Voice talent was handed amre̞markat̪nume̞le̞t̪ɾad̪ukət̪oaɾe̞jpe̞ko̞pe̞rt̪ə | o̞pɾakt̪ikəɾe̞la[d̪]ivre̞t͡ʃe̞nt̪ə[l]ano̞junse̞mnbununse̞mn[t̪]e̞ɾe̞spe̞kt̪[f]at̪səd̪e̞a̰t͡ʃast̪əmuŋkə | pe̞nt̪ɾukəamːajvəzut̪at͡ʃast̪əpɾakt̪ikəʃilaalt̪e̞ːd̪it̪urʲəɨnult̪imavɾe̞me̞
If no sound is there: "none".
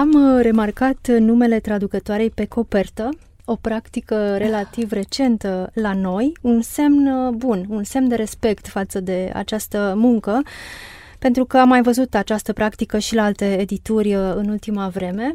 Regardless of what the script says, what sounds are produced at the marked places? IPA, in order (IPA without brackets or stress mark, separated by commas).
t̪, l, d̪, f